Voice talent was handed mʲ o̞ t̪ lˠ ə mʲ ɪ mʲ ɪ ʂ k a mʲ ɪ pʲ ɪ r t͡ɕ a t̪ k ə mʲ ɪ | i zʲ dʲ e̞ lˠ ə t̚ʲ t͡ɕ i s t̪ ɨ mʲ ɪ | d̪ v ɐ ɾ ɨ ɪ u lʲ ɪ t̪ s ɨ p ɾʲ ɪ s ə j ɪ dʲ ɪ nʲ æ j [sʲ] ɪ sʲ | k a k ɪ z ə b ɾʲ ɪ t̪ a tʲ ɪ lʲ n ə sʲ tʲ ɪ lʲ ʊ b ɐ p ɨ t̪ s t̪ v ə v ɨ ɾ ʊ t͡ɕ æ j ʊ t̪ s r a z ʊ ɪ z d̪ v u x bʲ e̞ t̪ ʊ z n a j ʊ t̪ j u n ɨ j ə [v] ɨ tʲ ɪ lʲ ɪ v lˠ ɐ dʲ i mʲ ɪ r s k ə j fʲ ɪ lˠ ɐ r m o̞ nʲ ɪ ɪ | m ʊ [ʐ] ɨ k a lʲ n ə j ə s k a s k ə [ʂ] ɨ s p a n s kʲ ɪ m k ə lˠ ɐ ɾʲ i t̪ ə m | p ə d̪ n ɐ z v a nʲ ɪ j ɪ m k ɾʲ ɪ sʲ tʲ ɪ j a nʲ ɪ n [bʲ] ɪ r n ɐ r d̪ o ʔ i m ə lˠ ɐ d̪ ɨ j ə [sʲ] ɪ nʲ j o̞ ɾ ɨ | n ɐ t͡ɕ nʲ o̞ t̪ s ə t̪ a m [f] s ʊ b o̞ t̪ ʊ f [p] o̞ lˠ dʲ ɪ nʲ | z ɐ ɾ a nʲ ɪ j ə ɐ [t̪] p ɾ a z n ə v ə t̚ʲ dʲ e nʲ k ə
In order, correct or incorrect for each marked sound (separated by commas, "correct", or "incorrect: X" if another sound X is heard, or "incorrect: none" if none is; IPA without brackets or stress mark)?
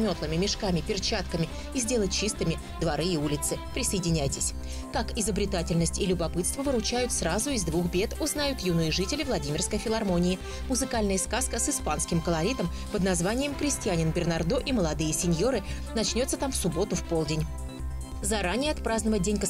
incorrect: tʲ, incorrect: ʐ, incorrect: z, incorrect: s, correct, correct, correct, correct, correct